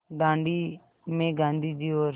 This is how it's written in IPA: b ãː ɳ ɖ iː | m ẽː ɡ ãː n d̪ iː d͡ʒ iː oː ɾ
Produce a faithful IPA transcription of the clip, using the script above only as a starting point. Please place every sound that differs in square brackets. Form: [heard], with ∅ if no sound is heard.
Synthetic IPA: [ɡ] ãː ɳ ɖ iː | m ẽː ɡ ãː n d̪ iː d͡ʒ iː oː ɾ